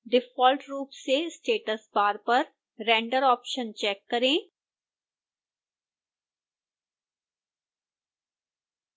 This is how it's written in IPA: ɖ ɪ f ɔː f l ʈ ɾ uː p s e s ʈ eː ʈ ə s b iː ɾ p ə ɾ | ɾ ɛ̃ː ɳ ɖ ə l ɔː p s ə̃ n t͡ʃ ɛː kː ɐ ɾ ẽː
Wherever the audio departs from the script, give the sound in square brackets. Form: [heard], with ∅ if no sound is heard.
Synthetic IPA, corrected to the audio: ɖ ɪ f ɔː [∅] l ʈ ɾ uː p s e s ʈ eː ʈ ə s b [aː] ɾ p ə ɾ | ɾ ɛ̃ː ɳ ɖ ə [ɾ] ɔː p [ʃ] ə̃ n t͡ʃ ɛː kː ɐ ɾ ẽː